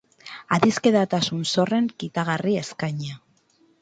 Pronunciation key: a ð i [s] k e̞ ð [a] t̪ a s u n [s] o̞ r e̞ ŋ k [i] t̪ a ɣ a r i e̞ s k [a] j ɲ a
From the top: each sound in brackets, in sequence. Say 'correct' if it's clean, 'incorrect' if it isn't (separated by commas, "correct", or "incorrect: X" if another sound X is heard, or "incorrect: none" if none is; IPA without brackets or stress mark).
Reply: correct, correct, correct, correct, correct